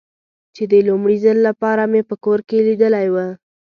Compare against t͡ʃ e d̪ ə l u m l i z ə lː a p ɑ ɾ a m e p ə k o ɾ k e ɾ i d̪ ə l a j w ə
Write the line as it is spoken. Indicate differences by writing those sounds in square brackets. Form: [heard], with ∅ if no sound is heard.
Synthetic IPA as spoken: t͡ʃ e d̪ ə l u m [ɽ] i z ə lː a p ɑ ɾ a m e p ə k o ɾ k e [l] i d̪ ə l a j w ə